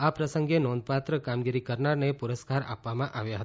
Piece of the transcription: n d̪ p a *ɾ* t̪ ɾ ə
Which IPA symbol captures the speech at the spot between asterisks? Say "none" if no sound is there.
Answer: none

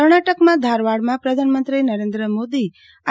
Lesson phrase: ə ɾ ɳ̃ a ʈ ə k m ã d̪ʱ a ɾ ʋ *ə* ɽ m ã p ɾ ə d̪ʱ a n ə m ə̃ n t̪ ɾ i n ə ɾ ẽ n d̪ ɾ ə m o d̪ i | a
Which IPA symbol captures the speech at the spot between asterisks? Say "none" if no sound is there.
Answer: a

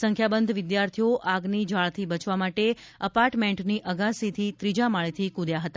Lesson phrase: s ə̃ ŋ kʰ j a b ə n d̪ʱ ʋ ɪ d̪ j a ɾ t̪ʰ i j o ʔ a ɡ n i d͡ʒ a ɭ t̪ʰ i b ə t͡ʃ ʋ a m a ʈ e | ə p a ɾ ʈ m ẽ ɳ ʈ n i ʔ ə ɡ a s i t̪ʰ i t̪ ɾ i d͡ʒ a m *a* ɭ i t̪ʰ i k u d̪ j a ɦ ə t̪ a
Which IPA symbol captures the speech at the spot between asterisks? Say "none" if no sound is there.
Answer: a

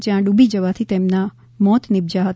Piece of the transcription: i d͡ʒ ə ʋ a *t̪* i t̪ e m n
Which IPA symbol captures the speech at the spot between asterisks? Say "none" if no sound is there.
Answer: t̪ʰ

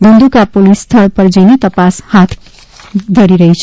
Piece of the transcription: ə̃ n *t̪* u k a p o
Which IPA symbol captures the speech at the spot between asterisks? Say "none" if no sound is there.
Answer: d̪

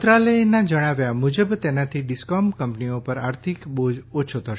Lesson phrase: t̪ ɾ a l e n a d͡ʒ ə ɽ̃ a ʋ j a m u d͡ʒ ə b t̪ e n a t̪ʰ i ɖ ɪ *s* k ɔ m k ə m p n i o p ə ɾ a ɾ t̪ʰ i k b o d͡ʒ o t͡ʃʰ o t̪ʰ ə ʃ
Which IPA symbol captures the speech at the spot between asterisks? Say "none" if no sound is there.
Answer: s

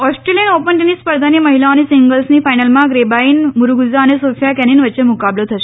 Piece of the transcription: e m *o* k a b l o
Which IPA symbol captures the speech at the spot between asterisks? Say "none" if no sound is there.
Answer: u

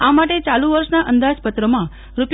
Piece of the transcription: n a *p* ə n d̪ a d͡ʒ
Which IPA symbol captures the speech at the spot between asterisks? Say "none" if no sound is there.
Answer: ʔ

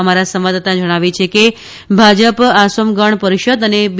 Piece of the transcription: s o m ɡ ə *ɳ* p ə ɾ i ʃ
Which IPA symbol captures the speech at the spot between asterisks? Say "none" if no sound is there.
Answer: ɳ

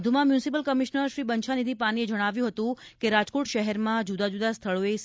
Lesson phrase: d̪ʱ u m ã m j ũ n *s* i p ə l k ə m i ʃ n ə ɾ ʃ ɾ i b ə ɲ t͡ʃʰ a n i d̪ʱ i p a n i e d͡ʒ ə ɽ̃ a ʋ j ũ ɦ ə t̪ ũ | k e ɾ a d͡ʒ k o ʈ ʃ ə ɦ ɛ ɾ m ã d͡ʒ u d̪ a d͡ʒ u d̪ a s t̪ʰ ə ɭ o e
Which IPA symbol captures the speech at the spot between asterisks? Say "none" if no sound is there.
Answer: s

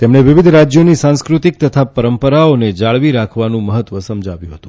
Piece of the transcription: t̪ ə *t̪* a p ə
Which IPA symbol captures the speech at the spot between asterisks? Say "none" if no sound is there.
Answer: t̪ʰ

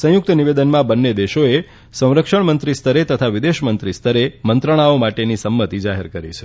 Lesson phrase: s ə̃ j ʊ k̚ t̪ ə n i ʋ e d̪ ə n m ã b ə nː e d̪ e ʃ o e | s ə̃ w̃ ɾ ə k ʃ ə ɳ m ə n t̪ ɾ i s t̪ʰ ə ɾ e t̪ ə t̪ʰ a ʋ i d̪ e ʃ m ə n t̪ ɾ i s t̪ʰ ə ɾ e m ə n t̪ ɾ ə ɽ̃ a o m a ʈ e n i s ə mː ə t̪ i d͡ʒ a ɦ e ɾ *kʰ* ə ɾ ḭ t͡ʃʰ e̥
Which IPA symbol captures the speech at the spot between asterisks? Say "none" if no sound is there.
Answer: k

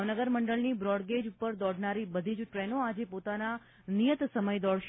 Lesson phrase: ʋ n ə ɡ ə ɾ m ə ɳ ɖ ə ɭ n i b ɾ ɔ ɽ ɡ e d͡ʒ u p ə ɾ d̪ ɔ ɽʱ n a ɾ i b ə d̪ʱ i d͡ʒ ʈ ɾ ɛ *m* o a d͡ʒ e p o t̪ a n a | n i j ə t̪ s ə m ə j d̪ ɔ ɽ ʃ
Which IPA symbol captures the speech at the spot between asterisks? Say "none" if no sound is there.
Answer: n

